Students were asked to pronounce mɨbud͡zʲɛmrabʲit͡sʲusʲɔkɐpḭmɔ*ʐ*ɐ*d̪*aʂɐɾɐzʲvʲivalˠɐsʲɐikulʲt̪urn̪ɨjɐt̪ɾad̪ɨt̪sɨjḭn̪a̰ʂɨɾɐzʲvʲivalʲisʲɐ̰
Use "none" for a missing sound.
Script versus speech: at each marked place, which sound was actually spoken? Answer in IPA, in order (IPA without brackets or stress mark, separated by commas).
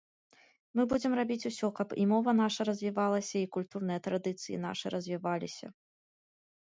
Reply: v, n̪